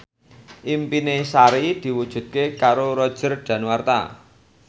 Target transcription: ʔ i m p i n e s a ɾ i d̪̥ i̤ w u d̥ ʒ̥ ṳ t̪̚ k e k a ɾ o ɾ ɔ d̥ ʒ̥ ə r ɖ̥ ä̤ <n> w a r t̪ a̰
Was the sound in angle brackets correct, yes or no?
yes